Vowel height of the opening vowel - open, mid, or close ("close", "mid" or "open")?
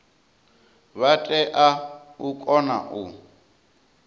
open